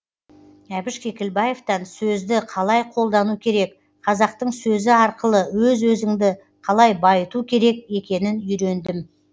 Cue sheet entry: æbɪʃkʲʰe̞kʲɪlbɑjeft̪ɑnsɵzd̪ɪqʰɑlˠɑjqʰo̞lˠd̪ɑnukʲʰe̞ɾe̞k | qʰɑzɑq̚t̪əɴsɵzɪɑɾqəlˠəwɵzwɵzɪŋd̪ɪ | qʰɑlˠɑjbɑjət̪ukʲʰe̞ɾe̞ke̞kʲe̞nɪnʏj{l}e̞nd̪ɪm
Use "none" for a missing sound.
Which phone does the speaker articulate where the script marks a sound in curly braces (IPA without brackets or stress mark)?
ɾ